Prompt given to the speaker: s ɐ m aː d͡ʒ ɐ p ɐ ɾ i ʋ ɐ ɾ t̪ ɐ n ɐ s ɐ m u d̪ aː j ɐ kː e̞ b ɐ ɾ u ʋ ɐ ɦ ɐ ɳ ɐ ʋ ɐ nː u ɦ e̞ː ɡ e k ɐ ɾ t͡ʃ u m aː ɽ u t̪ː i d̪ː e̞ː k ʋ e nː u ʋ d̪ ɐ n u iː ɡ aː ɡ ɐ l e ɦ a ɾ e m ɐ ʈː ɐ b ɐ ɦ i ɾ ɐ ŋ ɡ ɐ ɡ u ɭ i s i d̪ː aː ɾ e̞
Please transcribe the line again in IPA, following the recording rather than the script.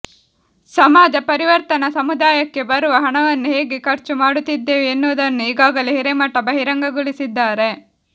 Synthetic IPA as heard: s ɐ m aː d͡ʒ ɐ p ɐ ɾ i ʋ ɐ ɾ t̪ ɐ n ɐ s ɐ m u d̪ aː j ɐ kː e̞ b ɐ ɾ u ʋ ɐ ɦ ɐ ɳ ɐ ʋ ɐ nː u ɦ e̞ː ɡ e k ɐ ɾ t͡ʃ u m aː ɽ u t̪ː i d̪ː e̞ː ʋ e nː u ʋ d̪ ɐ nː u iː ɡ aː ɡ ɐ l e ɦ i ɾ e m ɐ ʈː ɐ b ɐ ɦ i ɾ ɐ ŋ ɡ ɐ ɡ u ɭ i s i d̪ː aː ɾ e̞